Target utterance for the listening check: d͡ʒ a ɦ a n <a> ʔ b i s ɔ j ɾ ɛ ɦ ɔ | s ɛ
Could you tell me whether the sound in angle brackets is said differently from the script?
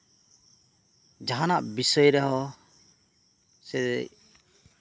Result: no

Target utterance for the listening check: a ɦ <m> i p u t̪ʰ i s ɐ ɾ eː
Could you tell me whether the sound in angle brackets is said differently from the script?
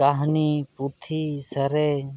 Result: yes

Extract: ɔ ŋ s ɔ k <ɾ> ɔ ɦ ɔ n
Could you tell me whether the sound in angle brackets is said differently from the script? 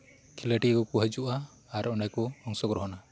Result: no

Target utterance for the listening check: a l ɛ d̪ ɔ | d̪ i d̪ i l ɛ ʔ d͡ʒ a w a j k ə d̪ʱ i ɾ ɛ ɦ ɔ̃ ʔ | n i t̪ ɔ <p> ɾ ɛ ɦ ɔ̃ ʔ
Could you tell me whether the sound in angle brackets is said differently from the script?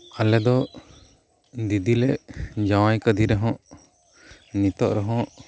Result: yes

